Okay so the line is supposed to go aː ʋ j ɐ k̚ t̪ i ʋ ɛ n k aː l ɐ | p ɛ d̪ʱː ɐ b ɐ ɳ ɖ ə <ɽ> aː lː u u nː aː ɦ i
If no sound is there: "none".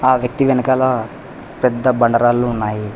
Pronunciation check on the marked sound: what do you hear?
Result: ɾ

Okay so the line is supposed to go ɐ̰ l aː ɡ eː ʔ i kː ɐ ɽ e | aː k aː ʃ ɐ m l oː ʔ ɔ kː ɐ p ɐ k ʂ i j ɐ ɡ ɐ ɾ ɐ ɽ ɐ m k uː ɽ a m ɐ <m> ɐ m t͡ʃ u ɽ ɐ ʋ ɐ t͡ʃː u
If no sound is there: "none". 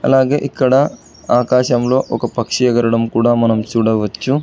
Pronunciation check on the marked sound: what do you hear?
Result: n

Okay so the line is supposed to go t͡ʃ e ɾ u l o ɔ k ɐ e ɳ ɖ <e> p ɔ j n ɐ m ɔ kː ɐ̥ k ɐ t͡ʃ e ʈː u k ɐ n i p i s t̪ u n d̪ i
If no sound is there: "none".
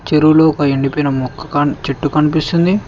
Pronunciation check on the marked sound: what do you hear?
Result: i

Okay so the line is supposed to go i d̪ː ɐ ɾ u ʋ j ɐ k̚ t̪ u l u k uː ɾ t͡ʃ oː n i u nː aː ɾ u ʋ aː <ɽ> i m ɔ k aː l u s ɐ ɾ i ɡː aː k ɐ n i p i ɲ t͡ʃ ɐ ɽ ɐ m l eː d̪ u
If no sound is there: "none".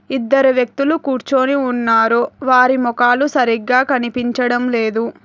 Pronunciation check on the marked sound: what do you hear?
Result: ɾ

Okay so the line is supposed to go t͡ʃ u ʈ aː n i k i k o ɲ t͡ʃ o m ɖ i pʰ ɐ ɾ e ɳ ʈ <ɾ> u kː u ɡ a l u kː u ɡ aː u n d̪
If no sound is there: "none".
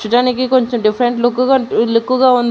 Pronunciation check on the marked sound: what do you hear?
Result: l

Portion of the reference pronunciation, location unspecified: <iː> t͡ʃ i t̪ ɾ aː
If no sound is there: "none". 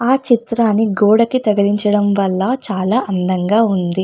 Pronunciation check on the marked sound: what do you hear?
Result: aː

